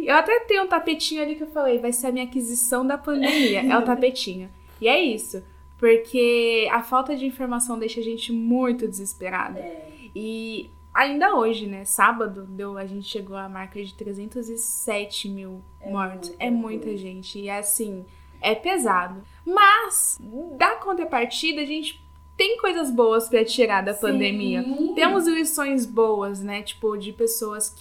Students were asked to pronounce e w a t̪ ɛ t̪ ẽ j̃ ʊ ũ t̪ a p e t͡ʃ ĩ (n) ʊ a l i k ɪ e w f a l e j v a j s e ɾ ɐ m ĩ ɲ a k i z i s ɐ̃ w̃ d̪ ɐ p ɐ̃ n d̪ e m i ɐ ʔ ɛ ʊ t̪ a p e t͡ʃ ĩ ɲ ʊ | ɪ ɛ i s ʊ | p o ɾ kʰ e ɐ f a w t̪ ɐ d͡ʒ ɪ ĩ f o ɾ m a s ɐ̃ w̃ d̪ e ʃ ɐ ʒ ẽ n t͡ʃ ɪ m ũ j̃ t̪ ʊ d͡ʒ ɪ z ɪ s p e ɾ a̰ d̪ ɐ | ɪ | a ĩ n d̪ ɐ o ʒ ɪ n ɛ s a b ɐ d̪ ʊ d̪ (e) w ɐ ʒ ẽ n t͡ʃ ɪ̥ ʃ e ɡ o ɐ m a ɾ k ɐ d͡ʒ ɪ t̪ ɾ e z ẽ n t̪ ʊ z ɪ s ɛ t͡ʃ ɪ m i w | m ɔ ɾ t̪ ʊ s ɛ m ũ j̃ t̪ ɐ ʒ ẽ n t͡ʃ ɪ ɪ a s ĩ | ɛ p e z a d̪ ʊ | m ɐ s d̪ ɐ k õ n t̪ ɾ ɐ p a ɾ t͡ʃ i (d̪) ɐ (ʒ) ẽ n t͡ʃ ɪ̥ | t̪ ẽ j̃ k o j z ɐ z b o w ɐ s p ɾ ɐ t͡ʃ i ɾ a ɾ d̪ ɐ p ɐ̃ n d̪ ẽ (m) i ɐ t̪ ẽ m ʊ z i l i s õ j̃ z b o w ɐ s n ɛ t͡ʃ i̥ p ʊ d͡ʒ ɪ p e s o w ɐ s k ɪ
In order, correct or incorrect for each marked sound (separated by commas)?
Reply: incorrect, correct, correct, correct, correct